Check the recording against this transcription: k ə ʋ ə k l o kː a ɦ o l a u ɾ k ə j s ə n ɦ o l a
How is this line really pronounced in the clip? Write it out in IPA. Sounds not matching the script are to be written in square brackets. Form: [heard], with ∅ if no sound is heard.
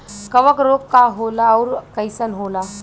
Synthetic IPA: k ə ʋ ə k [ɾ] o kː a ɦ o l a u ɾ k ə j s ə n ɦ o l a